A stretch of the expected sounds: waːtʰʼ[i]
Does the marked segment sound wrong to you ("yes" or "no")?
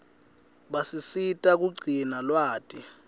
no